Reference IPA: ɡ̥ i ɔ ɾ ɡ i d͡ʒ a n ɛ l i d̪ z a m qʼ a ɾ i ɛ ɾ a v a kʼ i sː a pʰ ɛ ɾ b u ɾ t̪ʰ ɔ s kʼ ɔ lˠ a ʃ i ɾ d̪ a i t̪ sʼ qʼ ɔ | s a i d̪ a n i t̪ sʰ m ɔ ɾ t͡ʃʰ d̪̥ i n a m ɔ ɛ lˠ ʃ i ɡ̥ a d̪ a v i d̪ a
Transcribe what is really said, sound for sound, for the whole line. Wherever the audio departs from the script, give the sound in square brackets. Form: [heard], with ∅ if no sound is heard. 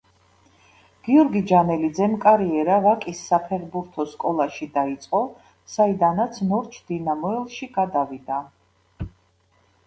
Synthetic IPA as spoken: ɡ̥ i ɔ ɾ ɡ i d͡ʒ a n ɛ l i d̪ z [ɛ] m [kʼ] a ɾ i ɛ ɾ a v a kʼ i sː a pʰ ɛ ɾ b u ɾ t̪ʰ ɔ s kʼ ɔ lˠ a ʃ i [∅] d̪ a i t̪ sʼ qʼ ɔ | s a i d̪ a n [a] t̪ sʰ [n] ɔ ɾ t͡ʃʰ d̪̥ i n a m ɔ ɛ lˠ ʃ i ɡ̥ a d̪ a v i d̪ a

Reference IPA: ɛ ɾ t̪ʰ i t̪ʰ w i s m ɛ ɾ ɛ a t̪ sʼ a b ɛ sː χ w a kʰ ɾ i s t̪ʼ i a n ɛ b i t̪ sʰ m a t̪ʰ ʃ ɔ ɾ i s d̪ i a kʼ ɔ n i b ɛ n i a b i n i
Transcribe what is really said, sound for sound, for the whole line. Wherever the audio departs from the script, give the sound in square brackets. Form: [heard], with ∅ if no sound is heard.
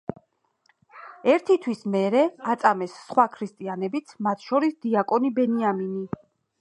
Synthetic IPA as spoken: ɛ ɾ t̪ʰ i t̪ʰ w i s m ɛ ɾ ɛ a t̪ sʼ a [m] ɛ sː χ w a kʰ ɾ i s t̪ʼ i a n ɛ b i t̪ sʰ m a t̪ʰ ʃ ɔ ɾ i s d̪ i a kʼ ɔ n i b ɛ n i a [m] i n i

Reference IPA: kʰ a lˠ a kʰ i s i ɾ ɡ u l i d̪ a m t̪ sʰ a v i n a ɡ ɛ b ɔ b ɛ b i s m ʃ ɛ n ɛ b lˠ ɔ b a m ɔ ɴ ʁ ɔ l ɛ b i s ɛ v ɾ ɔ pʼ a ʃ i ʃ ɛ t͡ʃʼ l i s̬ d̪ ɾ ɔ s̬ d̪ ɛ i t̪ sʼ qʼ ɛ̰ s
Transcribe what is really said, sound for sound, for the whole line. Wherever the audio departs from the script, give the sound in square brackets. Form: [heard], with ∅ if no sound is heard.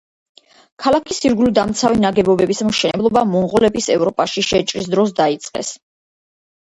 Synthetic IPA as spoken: kʰ a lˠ a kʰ i s i ɾ ɡ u l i d̪ a m t̪ sʰ a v i n a ɡ ɛ b ɔ b ɛ b i s m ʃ ɛ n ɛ b lˠ ɔ b a m ɔ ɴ ʁ ɔ l ɛ b i s ɛ v ɾ ɔ pʼ a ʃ i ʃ ɛ t͡ʃʼ [ɾ] i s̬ d̪ ɾ ɔ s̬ d̪ [a] i t̪ sʼ qʼ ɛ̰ s

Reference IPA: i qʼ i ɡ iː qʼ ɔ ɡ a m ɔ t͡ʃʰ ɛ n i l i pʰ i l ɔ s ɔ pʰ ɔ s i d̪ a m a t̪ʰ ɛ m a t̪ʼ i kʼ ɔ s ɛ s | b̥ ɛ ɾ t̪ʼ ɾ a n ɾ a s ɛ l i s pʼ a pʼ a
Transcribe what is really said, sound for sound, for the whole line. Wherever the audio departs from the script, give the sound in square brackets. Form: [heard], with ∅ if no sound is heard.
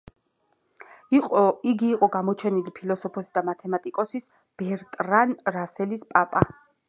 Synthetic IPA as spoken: i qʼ i ɡ iː qʼ ɔ ɡ a m ɔ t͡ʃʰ ɛ n i l i pʰ i l ɔ s ɔ pʰ ɔ s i d̪ a m a t̪ʰ ɛ m a t̪ʼ i kʼ ɔ s [i] s | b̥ ɛ ɾ t̪ʼ ɾ a n ɾ a s ɛ l i s pʼ a pʼ a

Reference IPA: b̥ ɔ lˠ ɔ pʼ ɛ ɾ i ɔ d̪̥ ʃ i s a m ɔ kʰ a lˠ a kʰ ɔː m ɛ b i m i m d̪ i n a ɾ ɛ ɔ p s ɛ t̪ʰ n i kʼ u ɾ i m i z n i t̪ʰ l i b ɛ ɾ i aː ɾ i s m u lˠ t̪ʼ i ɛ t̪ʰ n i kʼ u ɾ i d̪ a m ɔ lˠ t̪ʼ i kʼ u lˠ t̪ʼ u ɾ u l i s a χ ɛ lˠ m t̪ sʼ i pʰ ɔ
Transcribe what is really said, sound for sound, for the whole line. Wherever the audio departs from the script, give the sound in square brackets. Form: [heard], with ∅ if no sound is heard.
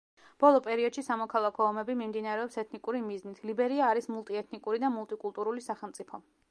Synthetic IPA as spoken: b̥ ɔ lˠ ɔ pʼ ɛ ɾ i ɔ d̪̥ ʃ i s a m ɔ kʰ a lˠ a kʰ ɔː m ɛ b i m i m d̪ i n a ɾ ɛ ɔ p s ɛ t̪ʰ n i kʼ u ɾ i m i z n i t̪ʰ l i b ɛ ɾ i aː ɾ i s m u lˠ t̪ʼ i ɛ t̪ʰ n i kʼ u ɾ i d̪ a m [u] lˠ t̪ʼ i kʼ u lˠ t̪ʼ u ɾ u l i s a χ ɛ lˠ m t̪ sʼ i pʰ ɔ

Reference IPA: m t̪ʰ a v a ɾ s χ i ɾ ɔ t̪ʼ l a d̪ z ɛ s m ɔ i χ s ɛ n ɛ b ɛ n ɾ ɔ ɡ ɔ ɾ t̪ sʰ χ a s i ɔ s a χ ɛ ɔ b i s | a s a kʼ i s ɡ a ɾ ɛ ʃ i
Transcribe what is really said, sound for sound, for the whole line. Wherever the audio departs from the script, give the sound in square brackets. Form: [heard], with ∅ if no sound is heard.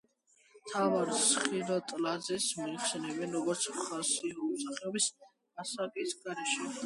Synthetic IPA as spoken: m t̪ʰ a v a ɾ s χ i ɾ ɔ t̪ʼ l a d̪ z ɛ s m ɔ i χ s ɛ n ɛ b ɛ n ɾ ɔ ɡ ɔ ɾ t̪ sʰ χ a s i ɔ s a χ ɛ ɔ b i s | a s a kʼ i s ɡ a ɾ ɛ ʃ [ɛ]

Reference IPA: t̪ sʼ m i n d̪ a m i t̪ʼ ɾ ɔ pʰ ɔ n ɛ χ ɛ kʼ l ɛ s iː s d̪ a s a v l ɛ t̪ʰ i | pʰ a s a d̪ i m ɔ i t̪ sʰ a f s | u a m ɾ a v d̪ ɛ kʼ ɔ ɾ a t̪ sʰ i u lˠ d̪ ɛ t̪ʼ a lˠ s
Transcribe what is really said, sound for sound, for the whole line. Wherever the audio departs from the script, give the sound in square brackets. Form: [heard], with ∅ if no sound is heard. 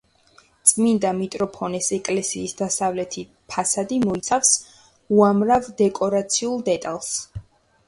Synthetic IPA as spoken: t̪ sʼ m i n d̪ a m i t̪ʼ ɾ ɔ pʰ ɔ n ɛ [s] ɛ kʼ l ɛ s iː s d̪ a s a v l ɛ t̪ʰ i | pʰ a s a d̪ i m ɔ i t̪ sʰ a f s | u a m ɾ a v d̪ ɛ kʼ ɔ ɾ a t̪ sʰ i u lˠ d̪ ɛ t̪ʼ a lˠ s

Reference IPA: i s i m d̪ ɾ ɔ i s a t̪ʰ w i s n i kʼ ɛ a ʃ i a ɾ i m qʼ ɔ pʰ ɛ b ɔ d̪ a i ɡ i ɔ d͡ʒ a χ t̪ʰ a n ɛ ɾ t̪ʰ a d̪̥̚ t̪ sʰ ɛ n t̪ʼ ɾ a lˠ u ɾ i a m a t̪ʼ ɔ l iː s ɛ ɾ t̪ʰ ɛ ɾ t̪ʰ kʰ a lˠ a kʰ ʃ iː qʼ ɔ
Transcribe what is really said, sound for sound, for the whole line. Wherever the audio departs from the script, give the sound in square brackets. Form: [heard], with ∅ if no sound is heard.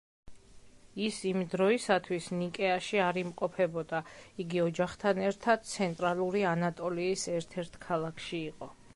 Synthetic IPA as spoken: i s i m d̪ ɾ ɔ i s a t̪ʰ w i s n i kʼ ɛ a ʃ i a ɾ i m qʼ ɔ pʰ ɛ b ɔ d̪ a i ɡ i ɔ d͡ʒ a χ t̪ʰ a n ɛ ɾ t̪ʰ a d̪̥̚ t̪ sʰ ɛ n t̪ʼ ɾ a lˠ u ɾ i a [n] a t̪ʼ ɔ l iː s ɛ ɾ t̪ʰ ɛ ɾ t̪ʰ kʰ a lˠ a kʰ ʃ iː qʼ ɔ

